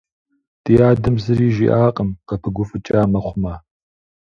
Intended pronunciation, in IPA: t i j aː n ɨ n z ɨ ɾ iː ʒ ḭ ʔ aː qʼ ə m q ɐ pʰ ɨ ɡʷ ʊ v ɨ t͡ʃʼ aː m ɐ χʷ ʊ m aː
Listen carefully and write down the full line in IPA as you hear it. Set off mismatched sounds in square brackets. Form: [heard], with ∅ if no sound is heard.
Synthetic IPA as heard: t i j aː [d] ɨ [m] z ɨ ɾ iː ʒ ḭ ʔ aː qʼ ə m q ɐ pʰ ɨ ɡʷ ʊ [f] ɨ t͡ʃʼ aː m ɐ χʷ ʊ m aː